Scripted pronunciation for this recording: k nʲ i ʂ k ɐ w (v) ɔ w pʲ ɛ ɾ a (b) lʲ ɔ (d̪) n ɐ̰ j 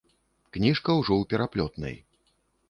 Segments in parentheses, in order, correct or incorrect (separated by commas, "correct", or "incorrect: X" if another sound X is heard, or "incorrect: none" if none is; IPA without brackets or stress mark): incorrect: ʐ, incorrect: p, incorrect: t̪